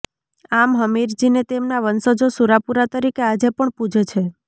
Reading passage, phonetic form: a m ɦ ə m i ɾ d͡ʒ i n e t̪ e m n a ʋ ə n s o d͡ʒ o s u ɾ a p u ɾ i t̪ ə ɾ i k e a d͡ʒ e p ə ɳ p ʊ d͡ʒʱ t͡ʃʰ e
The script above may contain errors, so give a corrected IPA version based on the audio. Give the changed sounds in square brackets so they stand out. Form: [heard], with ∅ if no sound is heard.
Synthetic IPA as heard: a m ɦ ə m i ɾ d͡ʒ i n e t̪ e m n a ʋ ə n s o d͡ʒ o s u ɾ a p u ɾ [a] t̪ ə ɾ i k e a d͡ʒ e p ə ɳ p [u] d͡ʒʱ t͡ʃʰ e